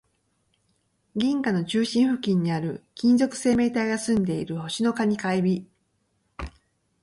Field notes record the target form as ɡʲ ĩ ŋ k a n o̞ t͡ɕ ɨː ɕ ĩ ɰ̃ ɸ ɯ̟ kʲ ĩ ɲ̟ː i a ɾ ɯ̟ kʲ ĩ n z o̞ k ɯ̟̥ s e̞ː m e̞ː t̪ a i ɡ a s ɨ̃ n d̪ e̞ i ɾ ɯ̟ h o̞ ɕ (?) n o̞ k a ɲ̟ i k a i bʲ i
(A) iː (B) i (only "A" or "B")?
B